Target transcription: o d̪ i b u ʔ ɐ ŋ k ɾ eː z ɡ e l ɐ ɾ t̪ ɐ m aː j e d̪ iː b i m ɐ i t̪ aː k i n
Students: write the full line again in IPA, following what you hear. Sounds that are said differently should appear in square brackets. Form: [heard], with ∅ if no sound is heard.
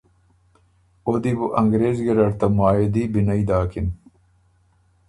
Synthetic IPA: o d̪ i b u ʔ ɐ ŋ [ɡ] ɾ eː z ɡ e [ɾ] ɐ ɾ t̪ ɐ m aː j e d̪ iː b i [n] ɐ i [d̪] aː k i n